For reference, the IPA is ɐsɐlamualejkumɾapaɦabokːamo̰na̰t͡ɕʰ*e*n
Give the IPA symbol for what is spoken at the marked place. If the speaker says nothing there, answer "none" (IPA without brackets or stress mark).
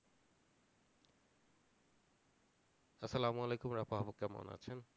e